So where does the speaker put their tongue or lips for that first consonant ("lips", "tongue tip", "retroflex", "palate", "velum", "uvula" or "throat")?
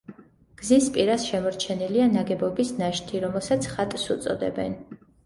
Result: velum